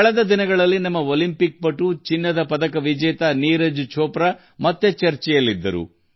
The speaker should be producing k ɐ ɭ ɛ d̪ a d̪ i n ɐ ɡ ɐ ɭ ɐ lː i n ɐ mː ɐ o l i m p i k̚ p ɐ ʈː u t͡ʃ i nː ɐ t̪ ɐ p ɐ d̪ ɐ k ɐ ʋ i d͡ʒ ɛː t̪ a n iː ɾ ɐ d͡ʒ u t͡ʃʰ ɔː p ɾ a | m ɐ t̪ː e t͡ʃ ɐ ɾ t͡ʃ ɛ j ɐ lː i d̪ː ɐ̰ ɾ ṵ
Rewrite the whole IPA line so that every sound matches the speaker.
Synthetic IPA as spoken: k ɐ ɭ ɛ d̪ ɐ d̪ i n ɐ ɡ ɐ ɭ ɐ lː i n ɐ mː ɐ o l i m p i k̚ p ɐ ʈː u t͡ʃ i nː ɐ d̪ ɐ p ɐ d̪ ɐ k ɐ ʋ i d͡ʒ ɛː t̪ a n iː ɾ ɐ d͡ʒ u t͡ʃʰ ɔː p ɾ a | m ɐ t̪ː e t͡ʃ ɐ ɾ t͡ʃ ɛ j ɐ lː i d̪ː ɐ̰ ɾ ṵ